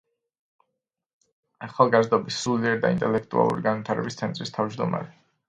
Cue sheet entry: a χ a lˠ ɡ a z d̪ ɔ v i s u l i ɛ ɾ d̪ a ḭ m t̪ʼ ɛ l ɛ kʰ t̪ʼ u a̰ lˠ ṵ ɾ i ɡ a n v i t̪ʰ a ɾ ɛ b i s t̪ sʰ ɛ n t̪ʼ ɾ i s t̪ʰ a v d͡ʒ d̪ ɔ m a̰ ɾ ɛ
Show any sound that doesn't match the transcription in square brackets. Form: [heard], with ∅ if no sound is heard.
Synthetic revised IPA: a χ a lˠ ɡ a z d̪ ɔ [b] i s u l i ɛ ɾ d̪ a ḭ [n] t̪ʼ ɛ l ɛ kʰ t̪ʼ u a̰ lˠ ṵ ɾ i ɡ a n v i t̪ʰ a ɾ ɛ b i s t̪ sʰ ɛ n t̪ʼ ɾ i s t̪ʰ a v d͡ʒ d̪ ɔ m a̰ ɾ ɛ